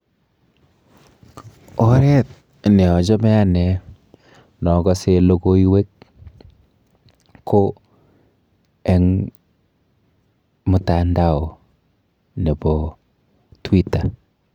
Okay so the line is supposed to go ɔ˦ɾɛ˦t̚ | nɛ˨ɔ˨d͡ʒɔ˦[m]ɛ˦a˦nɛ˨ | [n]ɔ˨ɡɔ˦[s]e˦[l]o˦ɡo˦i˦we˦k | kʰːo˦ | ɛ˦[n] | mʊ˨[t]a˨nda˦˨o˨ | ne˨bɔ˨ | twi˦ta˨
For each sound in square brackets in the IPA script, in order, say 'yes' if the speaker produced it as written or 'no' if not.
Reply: yes, yes, yes, yes, no, yes

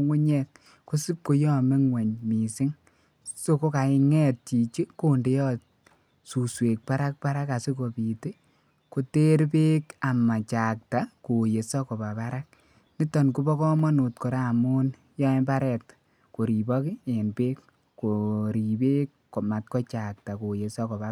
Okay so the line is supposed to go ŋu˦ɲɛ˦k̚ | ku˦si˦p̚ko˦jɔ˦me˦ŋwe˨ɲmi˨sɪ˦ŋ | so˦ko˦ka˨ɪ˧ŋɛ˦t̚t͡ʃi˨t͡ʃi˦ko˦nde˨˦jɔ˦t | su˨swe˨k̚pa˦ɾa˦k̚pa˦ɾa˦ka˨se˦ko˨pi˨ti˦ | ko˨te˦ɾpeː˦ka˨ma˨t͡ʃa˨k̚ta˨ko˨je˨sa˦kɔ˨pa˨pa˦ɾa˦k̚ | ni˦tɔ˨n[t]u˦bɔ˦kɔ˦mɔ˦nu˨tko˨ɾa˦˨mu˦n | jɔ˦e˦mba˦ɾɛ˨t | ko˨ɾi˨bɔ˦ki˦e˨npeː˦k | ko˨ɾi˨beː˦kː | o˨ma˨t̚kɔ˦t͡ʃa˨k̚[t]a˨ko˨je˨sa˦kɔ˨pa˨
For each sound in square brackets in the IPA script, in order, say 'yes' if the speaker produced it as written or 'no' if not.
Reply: no, yes

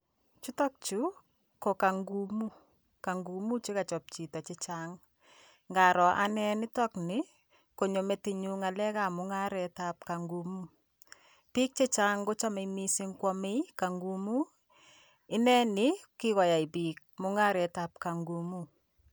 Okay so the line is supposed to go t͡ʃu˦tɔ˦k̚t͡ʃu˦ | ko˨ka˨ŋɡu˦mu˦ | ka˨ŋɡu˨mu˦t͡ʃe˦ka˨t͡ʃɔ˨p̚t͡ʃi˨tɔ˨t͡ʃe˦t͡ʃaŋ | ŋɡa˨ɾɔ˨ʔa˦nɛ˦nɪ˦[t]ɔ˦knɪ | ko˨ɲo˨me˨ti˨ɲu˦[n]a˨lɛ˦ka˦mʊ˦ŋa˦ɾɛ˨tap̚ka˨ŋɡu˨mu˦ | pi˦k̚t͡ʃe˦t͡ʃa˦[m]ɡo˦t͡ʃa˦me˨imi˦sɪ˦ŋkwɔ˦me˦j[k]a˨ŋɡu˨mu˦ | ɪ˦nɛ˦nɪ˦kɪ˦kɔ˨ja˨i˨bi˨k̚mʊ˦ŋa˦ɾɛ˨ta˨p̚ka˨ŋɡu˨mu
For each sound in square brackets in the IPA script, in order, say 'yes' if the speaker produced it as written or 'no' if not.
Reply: yes, no, no, yes

